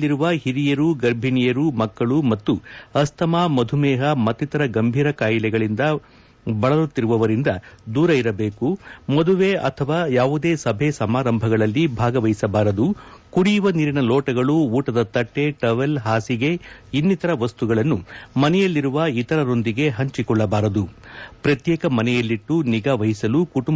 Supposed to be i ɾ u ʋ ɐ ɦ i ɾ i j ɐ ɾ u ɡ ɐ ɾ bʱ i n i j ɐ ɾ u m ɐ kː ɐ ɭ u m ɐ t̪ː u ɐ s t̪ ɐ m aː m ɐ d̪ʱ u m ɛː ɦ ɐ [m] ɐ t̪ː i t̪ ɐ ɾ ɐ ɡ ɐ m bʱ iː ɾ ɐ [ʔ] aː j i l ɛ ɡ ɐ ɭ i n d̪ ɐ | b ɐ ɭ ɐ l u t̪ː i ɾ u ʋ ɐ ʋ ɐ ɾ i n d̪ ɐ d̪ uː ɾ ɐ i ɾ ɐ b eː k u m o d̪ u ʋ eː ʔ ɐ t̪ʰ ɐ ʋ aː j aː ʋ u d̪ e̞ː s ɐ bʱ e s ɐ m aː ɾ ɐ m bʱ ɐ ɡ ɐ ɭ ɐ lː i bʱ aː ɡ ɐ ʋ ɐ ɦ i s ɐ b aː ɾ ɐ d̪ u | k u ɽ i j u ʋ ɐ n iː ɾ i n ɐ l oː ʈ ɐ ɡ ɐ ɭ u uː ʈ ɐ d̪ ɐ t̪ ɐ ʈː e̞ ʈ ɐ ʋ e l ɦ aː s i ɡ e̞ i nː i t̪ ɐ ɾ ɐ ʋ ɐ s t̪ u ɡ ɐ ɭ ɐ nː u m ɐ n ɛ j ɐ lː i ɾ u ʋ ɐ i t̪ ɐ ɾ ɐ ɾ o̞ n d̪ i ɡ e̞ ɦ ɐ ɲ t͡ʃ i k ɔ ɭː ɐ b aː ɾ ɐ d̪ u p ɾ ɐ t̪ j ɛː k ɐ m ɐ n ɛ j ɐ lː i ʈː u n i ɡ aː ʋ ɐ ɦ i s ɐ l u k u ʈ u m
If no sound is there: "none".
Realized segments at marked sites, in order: m, k

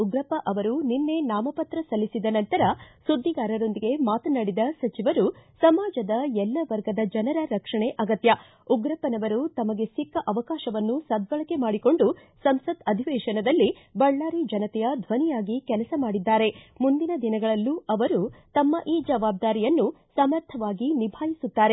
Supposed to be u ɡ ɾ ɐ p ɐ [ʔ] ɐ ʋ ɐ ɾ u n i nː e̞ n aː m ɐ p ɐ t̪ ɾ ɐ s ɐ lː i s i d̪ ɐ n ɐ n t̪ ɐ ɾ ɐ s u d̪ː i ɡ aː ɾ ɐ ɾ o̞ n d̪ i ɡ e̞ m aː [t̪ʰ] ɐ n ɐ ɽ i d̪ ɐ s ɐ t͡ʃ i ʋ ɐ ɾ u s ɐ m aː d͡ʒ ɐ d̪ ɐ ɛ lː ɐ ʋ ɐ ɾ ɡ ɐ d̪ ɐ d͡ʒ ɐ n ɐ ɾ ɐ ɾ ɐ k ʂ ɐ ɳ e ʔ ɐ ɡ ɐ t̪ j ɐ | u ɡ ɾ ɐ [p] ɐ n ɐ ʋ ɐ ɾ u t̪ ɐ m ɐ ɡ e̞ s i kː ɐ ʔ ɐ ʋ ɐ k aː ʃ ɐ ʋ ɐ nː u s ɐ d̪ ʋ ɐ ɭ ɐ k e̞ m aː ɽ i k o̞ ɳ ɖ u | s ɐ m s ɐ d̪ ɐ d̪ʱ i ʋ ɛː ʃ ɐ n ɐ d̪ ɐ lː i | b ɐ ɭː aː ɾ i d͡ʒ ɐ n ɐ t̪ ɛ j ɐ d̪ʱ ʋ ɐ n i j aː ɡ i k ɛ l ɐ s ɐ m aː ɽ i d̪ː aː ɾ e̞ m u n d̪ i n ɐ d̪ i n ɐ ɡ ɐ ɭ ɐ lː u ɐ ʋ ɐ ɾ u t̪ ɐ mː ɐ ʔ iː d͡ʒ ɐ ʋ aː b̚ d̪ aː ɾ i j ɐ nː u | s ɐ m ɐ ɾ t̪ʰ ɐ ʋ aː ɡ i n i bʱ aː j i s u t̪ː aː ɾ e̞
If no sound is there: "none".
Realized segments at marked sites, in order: ʔ, t̪, p

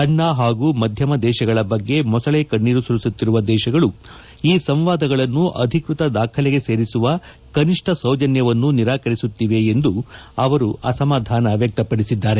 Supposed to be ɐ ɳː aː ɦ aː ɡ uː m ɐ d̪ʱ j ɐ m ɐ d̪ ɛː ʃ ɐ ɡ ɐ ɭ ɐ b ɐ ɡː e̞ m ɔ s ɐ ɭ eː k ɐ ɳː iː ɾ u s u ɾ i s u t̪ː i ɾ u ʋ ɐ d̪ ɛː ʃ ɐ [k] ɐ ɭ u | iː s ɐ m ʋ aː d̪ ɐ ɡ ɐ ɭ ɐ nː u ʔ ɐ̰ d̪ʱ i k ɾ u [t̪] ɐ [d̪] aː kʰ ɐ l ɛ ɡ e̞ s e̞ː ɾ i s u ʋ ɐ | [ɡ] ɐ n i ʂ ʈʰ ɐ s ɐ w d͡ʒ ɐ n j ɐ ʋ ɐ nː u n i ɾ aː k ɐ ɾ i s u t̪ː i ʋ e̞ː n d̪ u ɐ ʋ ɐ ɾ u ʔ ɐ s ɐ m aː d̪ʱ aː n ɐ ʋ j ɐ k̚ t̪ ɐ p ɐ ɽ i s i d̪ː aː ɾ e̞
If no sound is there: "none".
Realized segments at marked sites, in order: ɡ, t̪, d̪, k

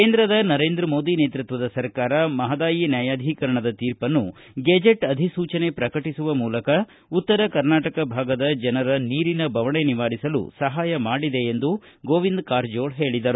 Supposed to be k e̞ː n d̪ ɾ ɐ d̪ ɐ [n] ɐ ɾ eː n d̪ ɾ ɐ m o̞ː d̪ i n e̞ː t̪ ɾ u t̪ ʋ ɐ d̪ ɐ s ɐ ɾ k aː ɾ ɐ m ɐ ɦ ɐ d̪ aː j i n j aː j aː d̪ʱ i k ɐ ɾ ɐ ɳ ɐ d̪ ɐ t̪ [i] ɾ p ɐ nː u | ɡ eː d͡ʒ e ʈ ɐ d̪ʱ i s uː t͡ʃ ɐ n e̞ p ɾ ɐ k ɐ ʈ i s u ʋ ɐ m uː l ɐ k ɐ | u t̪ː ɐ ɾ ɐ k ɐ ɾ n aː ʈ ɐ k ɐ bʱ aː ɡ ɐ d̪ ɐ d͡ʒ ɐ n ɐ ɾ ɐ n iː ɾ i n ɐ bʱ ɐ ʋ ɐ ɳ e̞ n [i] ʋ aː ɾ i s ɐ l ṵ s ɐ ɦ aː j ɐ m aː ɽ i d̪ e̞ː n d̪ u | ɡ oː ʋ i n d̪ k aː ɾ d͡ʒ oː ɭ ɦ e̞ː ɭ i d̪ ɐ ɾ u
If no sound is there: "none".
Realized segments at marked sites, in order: n, iː, i

